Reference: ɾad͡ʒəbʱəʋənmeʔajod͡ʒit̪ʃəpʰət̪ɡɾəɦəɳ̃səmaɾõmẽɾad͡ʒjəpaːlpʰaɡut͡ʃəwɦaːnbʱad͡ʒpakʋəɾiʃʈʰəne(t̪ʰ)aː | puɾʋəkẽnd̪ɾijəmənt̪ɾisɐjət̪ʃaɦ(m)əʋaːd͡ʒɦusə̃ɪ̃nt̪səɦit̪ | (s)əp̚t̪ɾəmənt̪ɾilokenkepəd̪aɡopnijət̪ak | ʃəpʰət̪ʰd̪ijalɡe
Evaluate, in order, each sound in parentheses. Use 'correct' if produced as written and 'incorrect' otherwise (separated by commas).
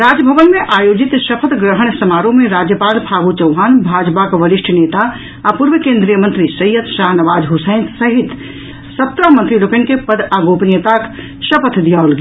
incorrect, incorrect, correct